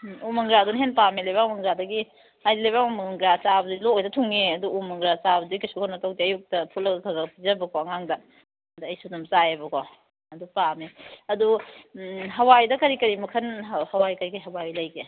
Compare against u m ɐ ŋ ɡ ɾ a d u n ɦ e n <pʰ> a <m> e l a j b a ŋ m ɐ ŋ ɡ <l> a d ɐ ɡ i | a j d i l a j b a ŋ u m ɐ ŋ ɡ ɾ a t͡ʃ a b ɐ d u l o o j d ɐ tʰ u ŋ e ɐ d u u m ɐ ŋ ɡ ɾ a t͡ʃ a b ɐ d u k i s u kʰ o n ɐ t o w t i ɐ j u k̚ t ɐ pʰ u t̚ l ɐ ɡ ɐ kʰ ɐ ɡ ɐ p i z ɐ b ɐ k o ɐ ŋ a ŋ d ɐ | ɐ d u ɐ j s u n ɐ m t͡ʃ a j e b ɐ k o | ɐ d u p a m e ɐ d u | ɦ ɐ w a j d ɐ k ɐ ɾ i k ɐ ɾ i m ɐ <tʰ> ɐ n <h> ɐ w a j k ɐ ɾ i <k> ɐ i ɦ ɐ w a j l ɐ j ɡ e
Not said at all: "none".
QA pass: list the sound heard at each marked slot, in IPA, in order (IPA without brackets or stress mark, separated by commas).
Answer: p, m, ɾ, kʰ, h, k